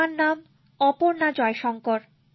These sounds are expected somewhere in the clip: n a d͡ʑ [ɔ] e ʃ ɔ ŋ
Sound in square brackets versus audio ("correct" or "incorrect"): correct